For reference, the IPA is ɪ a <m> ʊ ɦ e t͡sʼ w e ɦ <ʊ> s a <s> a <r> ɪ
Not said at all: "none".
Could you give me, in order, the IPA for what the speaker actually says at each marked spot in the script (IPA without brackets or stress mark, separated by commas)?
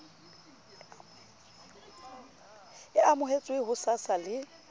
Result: m, ʊ, s, l